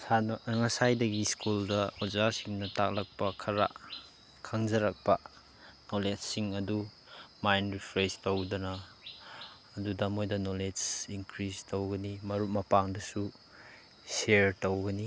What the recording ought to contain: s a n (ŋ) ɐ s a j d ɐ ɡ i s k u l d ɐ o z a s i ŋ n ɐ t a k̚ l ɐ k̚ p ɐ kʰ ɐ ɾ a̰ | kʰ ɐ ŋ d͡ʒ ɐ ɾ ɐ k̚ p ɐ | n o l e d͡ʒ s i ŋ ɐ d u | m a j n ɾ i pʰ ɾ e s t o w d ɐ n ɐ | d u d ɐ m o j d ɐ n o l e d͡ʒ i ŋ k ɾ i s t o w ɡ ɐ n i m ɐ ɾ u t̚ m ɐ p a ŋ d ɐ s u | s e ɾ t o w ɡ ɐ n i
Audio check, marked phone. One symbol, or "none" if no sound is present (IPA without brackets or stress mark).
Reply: ŋ